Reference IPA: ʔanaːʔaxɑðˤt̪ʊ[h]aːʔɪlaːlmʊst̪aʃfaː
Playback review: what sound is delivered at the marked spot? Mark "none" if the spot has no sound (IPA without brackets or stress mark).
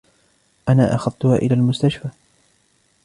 h